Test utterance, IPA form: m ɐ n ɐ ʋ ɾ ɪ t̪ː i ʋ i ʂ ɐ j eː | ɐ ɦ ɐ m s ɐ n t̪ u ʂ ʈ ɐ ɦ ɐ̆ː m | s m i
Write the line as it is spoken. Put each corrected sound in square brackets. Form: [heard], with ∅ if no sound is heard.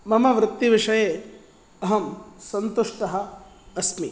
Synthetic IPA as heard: m ɐ [m] ɐ ʋ ɾ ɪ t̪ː i ʋ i ʂ ɐ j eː | ɐ ɦ ɐ m s ɐ n t̪ u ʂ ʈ ɐ ɦ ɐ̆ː [∅] | s m i